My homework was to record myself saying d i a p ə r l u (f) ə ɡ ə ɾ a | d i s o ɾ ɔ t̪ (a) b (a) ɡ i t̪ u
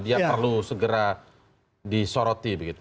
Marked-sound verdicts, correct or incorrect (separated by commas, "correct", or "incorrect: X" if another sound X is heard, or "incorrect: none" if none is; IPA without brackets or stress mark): incorrect: s, incorrect: i, incorrect: ə